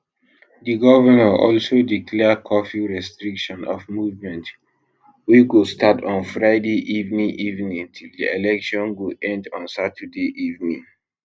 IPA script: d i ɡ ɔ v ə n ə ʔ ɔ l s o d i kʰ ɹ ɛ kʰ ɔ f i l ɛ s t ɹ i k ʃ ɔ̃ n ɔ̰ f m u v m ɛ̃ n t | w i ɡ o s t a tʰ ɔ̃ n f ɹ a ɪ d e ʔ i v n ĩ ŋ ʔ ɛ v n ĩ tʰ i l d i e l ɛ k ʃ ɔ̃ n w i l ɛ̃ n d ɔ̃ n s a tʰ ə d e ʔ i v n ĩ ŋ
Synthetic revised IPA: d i ɡ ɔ v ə n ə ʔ ɔ l s o d i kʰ l ɛ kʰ ɔ f i ɹ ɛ s t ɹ i k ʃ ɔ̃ n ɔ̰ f m u v m ɛ̃ n t | w i ɡ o s t a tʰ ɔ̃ n f ɹ a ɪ d e ʔ i v n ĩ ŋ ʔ i v n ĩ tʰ i l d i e l ɛ k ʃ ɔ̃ n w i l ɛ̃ n d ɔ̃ n s a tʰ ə d e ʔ i v n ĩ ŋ